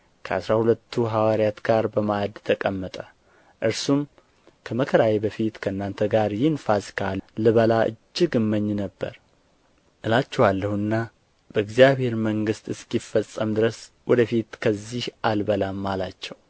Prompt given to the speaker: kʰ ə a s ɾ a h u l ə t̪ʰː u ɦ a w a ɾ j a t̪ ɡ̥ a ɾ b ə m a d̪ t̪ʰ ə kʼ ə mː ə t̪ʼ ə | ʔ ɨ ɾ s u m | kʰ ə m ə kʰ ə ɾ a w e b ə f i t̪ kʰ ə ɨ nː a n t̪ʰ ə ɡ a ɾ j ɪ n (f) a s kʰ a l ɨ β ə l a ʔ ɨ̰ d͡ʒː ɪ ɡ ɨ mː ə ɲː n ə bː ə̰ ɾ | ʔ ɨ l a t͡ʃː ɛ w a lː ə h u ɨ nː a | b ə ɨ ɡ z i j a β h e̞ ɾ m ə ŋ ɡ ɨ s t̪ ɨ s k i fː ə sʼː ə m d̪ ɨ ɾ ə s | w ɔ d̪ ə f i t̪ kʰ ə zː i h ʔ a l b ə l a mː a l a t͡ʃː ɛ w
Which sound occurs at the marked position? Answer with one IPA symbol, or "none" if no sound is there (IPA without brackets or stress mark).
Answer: f